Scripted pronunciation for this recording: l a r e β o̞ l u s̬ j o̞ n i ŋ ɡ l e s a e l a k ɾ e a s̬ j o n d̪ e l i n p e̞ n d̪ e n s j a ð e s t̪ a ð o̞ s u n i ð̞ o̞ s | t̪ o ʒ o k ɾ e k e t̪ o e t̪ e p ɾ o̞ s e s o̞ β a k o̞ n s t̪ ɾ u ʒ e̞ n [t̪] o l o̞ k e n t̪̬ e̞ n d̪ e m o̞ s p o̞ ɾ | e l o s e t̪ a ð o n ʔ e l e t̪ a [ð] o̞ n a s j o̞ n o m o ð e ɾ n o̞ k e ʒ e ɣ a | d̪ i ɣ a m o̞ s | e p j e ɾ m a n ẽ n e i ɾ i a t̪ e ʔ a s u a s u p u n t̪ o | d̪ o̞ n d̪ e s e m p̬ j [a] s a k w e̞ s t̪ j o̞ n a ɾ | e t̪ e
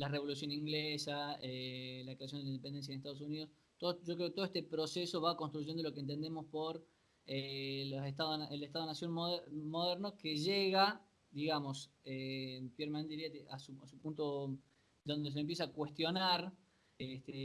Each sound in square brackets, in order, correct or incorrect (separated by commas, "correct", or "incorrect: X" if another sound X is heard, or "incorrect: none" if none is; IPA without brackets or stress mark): incorrect: d̪, correct, incorrect: e